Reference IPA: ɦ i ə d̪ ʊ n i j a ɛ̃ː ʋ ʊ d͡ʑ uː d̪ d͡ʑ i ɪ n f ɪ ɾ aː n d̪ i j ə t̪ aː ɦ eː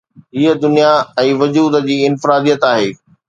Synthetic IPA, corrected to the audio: ɦ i ə d̪ ʊ n i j a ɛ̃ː ʋ ʊ d͡ʑ uː d̪ d͡ʑ iː ɪ n f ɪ ɾ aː d̪ i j ə t̪ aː ɦ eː